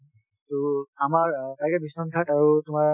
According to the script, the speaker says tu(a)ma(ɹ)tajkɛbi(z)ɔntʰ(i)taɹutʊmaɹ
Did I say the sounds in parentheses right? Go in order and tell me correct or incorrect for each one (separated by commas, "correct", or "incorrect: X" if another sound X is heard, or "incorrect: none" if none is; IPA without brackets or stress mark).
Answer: correct, correct, incorrect: s, incorrect: a